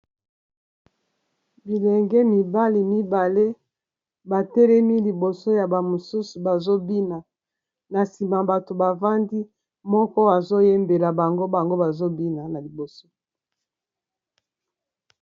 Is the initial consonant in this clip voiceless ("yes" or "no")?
no